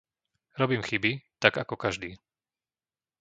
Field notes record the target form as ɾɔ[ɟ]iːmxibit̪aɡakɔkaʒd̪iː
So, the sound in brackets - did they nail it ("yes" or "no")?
no